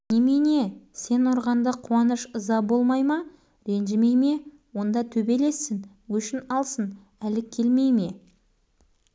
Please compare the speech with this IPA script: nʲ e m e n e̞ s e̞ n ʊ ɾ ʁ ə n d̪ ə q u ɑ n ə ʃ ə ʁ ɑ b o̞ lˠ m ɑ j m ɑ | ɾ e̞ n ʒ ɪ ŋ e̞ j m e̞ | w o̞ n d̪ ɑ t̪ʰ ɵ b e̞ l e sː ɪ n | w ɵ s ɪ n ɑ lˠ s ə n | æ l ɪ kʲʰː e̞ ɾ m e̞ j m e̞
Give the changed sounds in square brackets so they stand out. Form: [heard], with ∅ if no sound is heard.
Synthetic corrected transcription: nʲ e m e n e̞ s e̞ n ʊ ɾ ʁ [ɑ] n d̪ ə [qʰ] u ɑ n ə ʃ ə [z] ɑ b o̞ lˠ m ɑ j m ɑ | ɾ e̞ n ʒ ɪ [m] e̞ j m e̞ | w o̞ n d̪ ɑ t̪ʰ ɵ b e̞ l e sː ɪ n | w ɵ [ʃ] ɪ n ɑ lˠ s ə n | æ l ɪ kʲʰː e̞ [l] m e̞ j m e̞